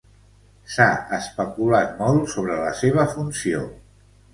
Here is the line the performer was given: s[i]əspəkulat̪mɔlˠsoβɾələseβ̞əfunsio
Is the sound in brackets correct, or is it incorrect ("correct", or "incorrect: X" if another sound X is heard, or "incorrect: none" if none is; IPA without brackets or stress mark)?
incorrect: a